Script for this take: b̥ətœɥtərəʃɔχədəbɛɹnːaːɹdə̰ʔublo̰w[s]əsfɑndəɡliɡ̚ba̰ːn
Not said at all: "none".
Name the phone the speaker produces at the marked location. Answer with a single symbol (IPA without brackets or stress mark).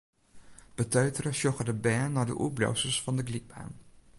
s